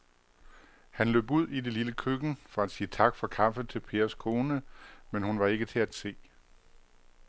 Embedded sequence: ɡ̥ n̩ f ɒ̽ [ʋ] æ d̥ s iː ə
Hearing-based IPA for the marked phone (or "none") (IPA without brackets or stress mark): none